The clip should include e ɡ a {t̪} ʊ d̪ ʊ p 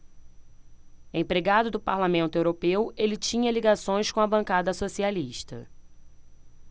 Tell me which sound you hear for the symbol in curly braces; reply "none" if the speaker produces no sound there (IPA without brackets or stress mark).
d̪